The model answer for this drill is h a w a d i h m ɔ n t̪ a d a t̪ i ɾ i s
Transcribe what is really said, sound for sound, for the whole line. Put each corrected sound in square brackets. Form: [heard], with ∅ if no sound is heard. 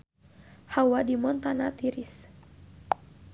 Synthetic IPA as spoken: h a w a d i [∅] m ɔ n t̪ a [n] a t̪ i ɾ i s